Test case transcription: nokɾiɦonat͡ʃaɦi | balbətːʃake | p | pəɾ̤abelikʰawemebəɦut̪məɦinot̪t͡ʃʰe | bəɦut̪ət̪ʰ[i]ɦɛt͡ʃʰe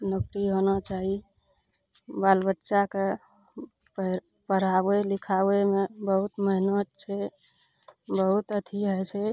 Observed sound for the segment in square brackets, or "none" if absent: i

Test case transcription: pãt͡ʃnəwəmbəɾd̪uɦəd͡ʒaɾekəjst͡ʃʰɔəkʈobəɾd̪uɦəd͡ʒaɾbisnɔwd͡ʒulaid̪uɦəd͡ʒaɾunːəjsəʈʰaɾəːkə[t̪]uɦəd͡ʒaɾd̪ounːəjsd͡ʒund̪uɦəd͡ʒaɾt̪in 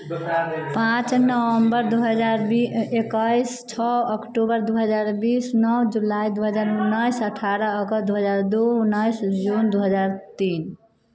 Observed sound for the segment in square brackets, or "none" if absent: d̪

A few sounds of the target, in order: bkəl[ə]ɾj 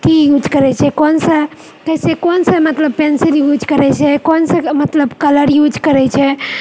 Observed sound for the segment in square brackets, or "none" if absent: ə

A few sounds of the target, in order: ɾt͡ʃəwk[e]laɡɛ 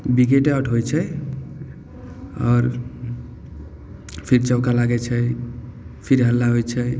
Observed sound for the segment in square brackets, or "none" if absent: a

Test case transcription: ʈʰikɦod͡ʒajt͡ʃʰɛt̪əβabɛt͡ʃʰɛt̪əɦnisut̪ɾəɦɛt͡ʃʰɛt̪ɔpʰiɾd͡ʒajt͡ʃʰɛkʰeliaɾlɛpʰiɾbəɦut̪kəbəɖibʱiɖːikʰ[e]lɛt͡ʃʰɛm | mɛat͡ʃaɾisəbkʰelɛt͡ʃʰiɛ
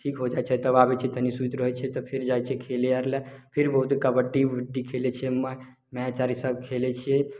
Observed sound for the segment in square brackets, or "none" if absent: e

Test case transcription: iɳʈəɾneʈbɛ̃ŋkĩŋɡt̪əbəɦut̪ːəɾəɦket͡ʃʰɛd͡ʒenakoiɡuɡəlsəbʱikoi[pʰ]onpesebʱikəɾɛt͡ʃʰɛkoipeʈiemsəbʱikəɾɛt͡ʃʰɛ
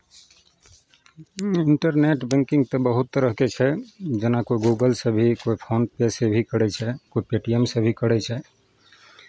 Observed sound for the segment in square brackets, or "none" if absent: pʰ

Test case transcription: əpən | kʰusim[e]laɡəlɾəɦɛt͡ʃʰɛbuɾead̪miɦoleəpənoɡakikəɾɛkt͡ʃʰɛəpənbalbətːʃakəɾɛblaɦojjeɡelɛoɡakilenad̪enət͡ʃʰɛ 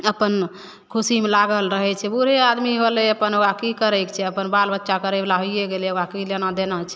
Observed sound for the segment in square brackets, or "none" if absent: e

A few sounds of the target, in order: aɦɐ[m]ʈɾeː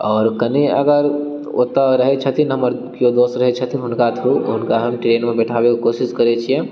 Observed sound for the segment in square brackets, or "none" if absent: m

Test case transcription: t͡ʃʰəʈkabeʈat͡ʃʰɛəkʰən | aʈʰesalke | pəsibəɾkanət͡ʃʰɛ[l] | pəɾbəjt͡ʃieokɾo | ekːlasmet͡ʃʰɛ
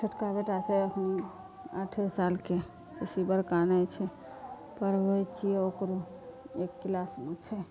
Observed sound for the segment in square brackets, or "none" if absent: none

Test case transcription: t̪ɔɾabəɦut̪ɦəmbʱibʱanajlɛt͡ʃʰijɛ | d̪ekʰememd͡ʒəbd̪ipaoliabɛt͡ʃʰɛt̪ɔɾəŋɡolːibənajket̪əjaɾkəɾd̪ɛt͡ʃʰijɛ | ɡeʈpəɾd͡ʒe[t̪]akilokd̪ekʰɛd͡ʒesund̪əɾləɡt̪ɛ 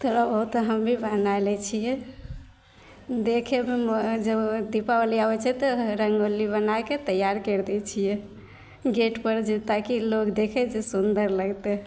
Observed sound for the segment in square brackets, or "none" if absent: t̪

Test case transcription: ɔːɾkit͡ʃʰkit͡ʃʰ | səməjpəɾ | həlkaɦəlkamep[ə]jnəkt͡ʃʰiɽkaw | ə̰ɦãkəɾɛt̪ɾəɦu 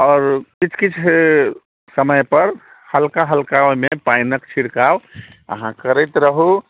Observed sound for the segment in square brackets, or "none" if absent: a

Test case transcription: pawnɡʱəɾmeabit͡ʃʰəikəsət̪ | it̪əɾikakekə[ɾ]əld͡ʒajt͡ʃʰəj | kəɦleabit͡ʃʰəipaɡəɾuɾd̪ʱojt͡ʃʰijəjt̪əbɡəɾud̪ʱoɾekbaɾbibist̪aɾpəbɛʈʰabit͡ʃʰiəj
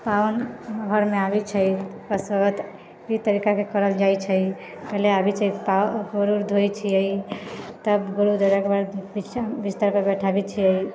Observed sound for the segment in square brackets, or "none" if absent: ɾ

